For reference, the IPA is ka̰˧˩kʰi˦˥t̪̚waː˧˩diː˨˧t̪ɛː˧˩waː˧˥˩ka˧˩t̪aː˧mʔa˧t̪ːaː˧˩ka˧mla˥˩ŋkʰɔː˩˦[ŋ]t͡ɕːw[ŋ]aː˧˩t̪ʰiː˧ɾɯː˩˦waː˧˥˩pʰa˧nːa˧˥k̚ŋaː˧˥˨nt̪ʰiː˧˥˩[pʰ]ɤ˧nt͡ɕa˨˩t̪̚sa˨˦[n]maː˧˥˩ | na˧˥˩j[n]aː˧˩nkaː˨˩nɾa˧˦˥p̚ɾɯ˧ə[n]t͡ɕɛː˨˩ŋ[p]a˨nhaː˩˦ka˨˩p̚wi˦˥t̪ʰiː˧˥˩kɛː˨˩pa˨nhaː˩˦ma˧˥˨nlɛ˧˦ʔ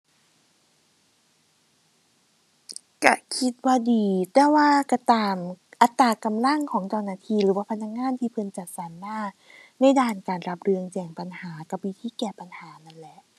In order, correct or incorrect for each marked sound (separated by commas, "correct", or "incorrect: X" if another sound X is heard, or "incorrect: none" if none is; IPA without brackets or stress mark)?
correct, incorrect: n, correct, correct, incorrect: d, incorrect: ŋ, correct